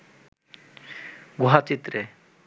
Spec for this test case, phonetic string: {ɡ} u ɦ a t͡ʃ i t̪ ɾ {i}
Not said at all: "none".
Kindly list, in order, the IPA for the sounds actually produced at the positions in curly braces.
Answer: ɡ, e

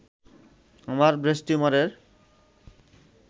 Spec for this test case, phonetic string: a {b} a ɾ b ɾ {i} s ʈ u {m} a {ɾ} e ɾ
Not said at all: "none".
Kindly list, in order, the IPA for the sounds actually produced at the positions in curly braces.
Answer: m, e, m, ɾ

